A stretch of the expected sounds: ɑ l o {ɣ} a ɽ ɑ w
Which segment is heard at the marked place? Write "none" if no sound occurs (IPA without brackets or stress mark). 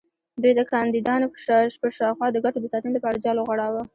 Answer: ɣ